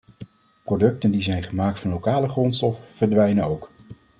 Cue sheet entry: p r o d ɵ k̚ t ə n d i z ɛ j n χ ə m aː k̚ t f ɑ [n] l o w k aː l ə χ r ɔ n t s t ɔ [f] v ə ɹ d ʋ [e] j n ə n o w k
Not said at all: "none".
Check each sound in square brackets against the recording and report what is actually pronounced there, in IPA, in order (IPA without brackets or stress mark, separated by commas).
n, f, ɛ